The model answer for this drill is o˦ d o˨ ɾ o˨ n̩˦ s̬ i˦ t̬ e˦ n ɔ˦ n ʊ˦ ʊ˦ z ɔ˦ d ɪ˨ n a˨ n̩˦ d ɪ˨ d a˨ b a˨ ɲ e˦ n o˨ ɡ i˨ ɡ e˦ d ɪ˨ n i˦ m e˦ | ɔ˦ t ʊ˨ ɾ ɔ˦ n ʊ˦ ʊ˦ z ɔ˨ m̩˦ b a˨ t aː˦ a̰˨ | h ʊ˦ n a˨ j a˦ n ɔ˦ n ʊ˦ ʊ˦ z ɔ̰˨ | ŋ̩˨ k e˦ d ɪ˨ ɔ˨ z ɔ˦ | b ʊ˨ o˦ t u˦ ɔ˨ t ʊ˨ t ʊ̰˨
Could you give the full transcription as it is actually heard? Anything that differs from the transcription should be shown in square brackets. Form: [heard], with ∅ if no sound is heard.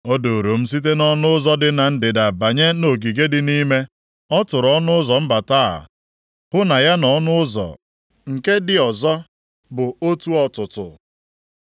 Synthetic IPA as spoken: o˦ d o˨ ɾ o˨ [m̩˦] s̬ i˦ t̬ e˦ n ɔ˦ n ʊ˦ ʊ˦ z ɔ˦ d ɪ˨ n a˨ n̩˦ d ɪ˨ d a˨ b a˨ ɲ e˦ n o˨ ɡ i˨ ɡ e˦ d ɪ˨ n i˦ m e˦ | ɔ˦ t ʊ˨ ɾ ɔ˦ n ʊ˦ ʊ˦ z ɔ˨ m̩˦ b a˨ t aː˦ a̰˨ | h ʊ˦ n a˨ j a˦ n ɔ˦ n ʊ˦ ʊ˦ z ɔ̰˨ | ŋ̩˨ k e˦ d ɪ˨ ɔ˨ z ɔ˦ | b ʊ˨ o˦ t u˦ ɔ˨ t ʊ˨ t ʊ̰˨